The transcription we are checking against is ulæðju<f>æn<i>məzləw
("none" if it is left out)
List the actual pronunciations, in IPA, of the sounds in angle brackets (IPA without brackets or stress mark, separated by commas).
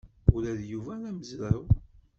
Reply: v, æ